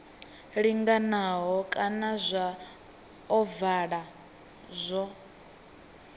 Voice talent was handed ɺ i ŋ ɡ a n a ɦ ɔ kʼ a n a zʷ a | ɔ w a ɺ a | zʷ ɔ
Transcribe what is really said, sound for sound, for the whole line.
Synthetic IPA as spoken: ɺ i ŋ ɡ a n a ɦ ɔ kʼ a n a zʷ a | ɔ v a ɺ a | zʷ ɔ